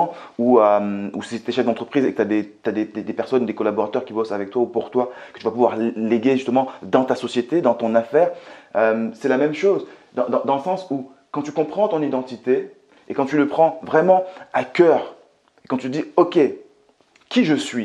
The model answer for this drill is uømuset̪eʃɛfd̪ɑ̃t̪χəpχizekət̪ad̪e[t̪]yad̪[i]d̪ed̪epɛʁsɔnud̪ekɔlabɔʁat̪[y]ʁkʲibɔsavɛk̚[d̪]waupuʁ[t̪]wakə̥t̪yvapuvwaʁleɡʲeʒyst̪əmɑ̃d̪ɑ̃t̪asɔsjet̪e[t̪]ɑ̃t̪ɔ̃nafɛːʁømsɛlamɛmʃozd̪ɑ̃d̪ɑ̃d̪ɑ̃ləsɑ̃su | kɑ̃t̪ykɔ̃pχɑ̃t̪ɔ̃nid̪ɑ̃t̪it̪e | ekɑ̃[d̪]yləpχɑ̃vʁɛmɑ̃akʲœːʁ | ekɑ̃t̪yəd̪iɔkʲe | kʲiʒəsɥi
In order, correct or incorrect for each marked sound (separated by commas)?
correct, incorrect, incorrect, incorrect, correct, incorrect, incorrect